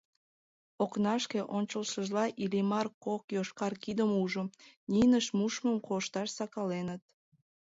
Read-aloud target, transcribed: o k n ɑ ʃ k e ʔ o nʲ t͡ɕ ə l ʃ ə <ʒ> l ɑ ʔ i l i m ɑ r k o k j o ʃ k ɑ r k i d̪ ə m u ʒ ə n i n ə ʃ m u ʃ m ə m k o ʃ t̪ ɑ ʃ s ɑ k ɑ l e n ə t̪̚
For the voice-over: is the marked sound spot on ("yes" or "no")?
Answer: yes